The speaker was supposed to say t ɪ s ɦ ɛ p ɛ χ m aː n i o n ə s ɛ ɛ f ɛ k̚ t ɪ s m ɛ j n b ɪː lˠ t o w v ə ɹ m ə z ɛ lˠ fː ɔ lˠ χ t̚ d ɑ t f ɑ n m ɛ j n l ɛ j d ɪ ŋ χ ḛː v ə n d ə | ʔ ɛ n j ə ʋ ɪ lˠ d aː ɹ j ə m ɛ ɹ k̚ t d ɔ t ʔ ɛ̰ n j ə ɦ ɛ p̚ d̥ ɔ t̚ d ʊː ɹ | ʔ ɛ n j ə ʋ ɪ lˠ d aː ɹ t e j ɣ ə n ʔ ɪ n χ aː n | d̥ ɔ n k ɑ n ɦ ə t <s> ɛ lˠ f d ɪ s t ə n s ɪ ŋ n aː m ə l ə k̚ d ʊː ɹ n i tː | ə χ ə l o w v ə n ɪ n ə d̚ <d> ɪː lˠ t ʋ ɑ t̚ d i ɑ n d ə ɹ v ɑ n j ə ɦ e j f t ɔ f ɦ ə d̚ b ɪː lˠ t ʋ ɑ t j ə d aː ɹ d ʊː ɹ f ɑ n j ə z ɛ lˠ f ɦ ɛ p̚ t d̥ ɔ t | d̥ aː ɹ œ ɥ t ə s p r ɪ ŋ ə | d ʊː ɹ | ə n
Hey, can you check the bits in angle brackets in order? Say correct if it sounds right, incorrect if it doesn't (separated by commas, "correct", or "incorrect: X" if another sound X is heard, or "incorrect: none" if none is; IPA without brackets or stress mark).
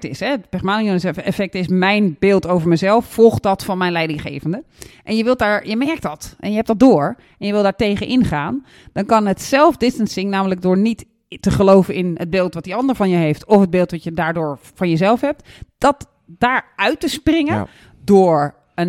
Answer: correct, incorrect: b